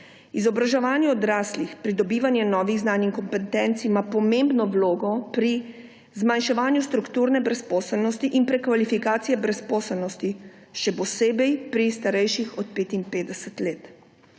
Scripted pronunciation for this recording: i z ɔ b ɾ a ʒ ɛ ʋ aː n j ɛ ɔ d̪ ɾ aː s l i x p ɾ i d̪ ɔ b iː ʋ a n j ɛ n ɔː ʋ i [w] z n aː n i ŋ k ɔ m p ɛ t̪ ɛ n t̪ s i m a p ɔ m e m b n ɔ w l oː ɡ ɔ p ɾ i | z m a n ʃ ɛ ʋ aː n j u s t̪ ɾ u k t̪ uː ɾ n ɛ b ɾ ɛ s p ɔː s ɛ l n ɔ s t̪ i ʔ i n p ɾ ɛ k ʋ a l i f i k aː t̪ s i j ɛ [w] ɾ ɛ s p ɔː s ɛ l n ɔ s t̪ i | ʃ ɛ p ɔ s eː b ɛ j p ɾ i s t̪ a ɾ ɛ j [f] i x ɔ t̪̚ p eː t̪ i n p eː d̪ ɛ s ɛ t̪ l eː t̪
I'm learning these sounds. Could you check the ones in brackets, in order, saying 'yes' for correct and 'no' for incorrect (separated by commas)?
no, no, no